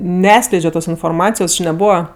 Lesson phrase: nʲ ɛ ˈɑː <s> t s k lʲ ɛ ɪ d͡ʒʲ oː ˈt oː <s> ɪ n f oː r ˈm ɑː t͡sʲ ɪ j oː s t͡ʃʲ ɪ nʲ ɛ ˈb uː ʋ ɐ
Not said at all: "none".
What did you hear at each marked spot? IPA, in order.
none, s

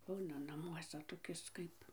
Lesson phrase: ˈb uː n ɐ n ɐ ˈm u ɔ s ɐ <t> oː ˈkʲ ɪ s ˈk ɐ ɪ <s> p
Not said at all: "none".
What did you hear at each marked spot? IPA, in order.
t, none

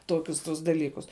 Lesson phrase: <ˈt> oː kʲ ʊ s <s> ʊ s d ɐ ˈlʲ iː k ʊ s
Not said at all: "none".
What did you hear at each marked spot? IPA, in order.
t, t

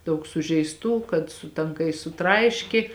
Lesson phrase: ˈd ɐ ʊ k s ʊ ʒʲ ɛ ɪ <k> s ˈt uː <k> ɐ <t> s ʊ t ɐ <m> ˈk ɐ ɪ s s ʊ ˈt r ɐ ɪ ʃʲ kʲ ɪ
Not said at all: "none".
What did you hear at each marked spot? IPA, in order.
none, k, t, ŋ

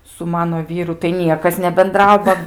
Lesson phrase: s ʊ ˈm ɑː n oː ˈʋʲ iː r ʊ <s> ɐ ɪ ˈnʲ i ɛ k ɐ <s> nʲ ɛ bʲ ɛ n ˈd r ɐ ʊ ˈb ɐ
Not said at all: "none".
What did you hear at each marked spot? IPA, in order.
t, s

